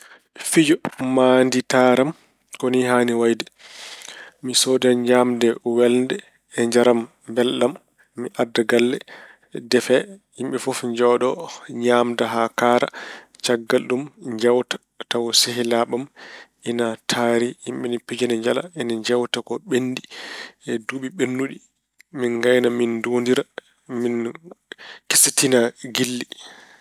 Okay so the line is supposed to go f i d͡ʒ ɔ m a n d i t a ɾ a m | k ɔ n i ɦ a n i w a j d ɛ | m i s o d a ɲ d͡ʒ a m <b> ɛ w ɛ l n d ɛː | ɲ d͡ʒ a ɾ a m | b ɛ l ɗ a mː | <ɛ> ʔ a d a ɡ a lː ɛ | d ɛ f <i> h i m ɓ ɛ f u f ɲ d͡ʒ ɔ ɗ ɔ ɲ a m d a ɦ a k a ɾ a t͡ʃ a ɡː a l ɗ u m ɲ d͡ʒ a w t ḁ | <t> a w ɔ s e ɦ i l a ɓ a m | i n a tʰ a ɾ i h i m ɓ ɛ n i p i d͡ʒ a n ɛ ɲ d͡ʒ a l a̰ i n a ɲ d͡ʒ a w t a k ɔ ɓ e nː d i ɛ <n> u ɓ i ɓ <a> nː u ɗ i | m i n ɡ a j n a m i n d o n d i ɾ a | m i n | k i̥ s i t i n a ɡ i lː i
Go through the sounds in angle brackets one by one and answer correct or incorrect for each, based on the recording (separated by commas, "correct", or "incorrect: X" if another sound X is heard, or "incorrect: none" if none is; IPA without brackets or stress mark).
incorrect: d, incorrect: i, incorrect: ɛ, correct, incorrect: d, incorrect: e